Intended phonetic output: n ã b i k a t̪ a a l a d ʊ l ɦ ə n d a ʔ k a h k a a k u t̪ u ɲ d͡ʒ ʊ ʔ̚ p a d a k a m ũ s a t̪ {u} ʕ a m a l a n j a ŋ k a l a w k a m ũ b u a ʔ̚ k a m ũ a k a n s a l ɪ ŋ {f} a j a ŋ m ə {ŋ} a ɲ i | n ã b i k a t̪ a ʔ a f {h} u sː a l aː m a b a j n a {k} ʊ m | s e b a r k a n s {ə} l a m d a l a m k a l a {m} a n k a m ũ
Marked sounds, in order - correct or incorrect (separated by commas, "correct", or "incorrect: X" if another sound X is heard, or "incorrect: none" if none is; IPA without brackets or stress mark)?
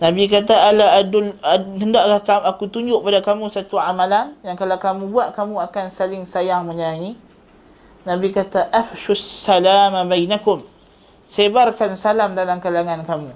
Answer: correct, incorrect: s, incorrect: ɲ, incorrect: ʃ, correct, incorrect: a, incorrect: ŋ